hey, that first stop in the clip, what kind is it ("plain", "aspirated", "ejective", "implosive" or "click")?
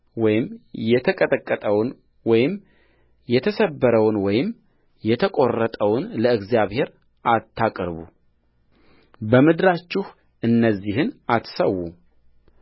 aspirated